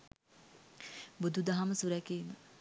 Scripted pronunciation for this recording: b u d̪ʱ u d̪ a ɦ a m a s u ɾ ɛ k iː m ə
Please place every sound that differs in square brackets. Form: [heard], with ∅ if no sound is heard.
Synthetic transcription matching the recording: b u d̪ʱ u d̪ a ɦ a m [ə] s u ɾ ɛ k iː m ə